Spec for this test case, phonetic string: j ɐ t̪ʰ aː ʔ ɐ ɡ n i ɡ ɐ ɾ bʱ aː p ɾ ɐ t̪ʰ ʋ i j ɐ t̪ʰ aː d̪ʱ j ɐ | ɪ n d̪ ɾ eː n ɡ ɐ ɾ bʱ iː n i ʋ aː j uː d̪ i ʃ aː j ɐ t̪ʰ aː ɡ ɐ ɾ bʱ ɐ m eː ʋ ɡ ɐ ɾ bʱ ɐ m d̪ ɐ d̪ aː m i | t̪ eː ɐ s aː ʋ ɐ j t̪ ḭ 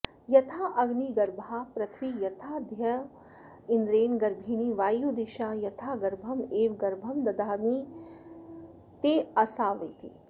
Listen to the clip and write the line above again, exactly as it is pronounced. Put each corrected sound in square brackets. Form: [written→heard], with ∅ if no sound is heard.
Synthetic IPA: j ɐ t̪ʰ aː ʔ ɐ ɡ n i ɡ ɐ ɾ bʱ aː p ɾ ɐ t̪ʰ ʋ i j ɐ t̪ʰ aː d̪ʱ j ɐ | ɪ n d̪ ɾ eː n ɡ ɐ ɾ bʱ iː n i ʋ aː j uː d̪ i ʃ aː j ɐ t̪ʰ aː ɡ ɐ ɾ bʱ ɐ m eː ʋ ɡ ɐ ɾ bʱ ɐ m d̪ ɐ d̪ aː m i | t̪ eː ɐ s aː ʋ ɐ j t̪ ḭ